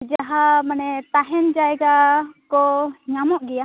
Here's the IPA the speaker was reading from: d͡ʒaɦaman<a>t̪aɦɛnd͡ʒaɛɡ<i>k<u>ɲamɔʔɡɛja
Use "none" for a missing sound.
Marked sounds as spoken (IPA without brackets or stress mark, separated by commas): ɛ, a, ɔ